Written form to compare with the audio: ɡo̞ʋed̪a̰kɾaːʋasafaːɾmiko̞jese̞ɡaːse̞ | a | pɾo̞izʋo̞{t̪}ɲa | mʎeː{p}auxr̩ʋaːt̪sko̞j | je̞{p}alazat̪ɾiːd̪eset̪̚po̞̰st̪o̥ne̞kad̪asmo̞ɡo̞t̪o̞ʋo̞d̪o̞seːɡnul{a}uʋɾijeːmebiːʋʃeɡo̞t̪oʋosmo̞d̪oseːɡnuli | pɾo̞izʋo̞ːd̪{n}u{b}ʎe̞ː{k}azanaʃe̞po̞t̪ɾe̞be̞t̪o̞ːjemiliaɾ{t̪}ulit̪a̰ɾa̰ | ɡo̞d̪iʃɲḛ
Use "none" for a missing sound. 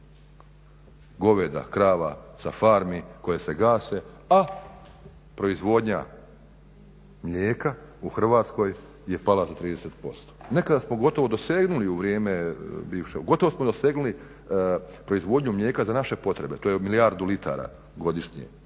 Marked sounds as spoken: d̪, k, p, i, ɲ, m, k, d̪

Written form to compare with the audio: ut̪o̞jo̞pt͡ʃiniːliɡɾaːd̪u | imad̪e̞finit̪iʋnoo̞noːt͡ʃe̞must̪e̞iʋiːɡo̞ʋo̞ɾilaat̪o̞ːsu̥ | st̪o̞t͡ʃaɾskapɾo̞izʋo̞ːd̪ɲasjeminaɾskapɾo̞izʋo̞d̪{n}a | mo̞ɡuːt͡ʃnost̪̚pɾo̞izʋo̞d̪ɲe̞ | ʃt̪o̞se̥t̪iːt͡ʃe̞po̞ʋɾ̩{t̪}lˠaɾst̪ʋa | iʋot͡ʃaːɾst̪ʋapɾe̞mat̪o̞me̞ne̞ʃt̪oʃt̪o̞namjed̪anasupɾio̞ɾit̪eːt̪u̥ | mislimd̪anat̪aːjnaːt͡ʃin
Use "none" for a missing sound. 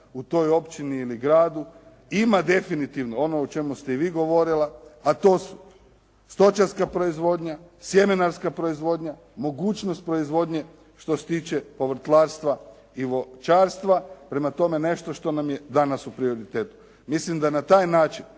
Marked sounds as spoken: ɲ, t̪

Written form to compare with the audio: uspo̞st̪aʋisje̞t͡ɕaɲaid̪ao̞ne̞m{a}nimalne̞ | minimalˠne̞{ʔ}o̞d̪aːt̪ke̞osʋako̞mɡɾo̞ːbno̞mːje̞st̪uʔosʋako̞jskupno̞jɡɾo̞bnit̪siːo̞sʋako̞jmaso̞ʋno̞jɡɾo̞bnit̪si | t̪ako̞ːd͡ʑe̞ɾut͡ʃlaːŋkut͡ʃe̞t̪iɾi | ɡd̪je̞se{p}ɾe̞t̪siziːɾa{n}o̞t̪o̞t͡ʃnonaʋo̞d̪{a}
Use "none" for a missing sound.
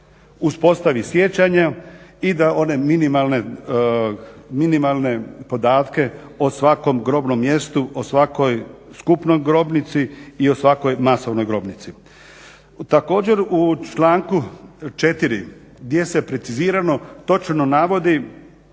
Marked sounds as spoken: i, p, p, n, i

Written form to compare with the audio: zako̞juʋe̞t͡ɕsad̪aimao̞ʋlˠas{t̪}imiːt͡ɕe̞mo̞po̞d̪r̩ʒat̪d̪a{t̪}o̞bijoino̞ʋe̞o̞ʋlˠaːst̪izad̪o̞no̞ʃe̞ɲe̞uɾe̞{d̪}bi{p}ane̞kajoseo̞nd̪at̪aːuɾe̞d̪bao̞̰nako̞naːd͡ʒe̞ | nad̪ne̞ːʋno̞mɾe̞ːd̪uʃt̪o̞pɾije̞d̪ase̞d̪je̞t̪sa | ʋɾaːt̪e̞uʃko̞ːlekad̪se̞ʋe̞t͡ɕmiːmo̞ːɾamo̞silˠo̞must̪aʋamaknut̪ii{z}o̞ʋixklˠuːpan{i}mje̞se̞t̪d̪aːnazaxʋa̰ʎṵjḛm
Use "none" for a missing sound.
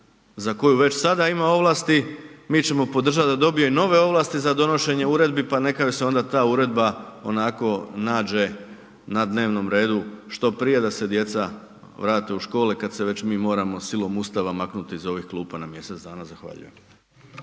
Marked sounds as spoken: t̪, d̪, d̪, p, z, a

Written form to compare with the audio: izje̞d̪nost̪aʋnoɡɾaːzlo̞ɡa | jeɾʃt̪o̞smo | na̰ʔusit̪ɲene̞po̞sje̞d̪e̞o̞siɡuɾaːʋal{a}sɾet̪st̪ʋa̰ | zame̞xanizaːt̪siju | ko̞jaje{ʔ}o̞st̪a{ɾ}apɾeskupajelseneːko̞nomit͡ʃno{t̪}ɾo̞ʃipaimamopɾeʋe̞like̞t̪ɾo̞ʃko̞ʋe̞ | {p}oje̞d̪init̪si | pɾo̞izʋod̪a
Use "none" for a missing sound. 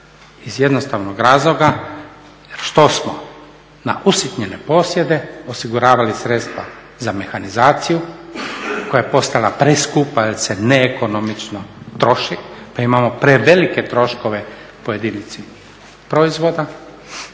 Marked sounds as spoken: i, p, l, t̪, p

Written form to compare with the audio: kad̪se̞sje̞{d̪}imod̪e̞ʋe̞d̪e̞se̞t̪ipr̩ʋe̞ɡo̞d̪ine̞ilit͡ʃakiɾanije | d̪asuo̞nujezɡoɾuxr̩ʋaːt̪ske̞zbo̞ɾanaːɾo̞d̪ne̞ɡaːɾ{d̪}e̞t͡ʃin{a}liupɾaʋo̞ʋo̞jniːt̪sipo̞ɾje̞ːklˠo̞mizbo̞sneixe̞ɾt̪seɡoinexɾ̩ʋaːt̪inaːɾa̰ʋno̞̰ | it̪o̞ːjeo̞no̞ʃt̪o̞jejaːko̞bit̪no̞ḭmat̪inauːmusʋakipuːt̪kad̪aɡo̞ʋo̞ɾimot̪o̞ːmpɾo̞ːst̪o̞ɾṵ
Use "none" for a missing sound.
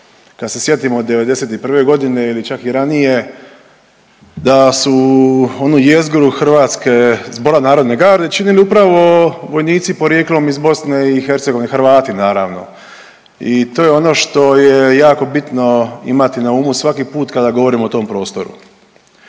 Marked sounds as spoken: t̪, d̪, i

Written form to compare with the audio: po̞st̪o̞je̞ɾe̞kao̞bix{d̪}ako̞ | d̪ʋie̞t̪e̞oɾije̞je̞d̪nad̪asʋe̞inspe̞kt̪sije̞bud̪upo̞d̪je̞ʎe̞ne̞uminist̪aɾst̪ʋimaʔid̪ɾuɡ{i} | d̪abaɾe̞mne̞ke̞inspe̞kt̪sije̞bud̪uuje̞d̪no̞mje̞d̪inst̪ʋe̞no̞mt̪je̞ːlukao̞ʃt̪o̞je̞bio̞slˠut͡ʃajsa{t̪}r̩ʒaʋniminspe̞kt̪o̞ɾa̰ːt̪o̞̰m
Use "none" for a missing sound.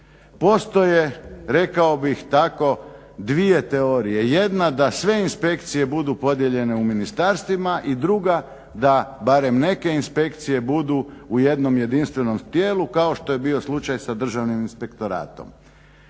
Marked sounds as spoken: t̪, a, d̪

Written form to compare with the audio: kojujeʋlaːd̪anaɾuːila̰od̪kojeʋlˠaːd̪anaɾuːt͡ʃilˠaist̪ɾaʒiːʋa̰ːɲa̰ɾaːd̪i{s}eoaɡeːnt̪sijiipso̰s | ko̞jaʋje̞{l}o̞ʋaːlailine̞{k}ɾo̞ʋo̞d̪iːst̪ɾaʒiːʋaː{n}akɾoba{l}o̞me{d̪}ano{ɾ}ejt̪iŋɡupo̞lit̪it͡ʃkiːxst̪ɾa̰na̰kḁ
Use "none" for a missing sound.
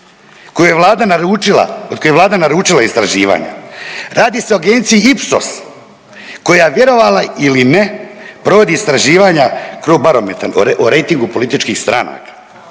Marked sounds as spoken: s, ɾ, p, ɲ, ɾ, t̪, ɾ

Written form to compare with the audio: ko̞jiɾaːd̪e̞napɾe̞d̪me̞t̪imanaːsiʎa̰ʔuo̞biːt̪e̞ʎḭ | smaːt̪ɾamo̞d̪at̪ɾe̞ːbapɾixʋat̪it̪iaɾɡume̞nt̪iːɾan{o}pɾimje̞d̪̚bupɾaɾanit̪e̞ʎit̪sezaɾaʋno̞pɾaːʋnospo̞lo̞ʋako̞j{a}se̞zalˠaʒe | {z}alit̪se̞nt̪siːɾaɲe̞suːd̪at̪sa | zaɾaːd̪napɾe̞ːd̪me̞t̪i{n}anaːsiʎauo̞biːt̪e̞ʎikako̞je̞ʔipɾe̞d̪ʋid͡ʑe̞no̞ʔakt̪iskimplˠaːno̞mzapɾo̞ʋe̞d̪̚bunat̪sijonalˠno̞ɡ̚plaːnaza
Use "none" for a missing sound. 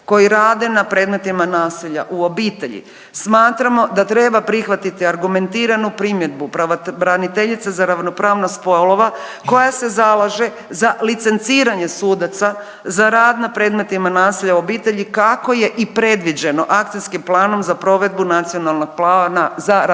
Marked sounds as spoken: u, a, z, m

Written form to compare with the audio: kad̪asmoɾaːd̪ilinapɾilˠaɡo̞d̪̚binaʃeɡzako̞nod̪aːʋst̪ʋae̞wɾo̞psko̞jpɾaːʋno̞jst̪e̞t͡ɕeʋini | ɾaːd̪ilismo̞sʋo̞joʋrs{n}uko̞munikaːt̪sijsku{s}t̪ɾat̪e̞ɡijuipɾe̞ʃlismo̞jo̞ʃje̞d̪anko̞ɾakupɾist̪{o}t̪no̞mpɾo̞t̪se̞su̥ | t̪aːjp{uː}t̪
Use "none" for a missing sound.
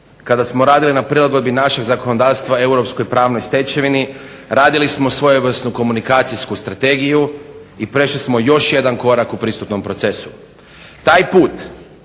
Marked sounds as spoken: n, s, u, uː

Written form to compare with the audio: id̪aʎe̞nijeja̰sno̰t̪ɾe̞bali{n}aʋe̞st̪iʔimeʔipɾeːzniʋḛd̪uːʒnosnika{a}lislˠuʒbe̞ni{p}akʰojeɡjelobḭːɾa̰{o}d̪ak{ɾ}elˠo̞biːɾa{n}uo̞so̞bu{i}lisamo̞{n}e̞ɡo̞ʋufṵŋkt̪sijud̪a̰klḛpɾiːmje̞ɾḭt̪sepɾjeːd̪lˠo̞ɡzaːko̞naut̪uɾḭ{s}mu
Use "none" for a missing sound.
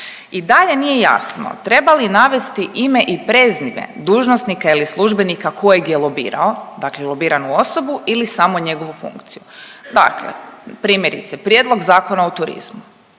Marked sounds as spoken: n, i, k, o, l, n, i, ɲ, z

